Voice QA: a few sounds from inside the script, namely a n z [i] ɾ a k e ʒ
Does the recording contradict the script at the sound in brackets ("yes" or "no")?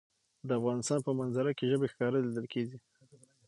yes